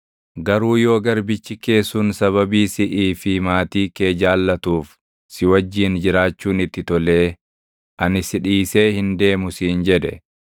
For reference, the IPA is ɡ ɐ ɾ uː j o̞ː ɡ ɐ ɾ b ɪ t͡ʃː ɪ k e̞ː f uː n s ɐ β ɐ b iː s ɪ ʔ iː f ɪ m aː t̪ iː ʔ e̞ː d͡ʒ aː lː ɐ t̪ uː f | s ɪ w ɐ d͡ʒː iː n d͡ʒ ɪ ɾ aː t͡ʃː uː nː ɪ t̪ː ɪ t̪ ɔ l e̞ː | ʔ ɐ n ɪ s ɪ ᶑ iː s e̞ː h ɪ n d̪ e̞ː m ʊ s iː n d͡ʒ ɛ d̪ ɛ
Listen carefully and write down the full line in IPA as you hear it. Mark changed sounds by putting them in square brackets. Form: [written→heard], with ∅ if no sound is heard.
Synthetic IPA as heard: ɡ ɐ ɾ uː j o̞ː ɡ ɐ ɾ b ɪ t͡ʃː ɪ k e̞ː [f→s] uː n s ɐ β ɐ b iː s ɪ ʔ iː f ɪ m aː t̪ iː [ʔ→k] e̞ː d͡ʒ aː lː ɐ t̪ uː f | s ɪ w ɐ d͡ʒː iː n d͡ʒ ɪ ɾ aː t͡ʃː uː [nː→n] ɪ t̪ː ɪ t̪ ɔ l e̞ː | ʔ ɐ n ɪ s ɪ ᶑ iː s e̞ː h ɪ n d̪ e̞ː m ʊ s iː n d͡ʒ ɛ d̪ ɛ